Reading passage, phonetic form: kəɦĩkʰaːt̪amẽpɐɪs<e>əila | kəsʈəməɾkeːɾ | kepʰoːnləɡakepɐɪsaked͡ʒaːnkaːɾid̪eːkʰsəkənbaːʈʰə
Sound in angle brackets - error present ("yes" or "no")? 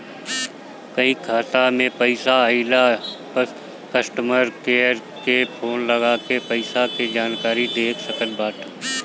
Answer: yes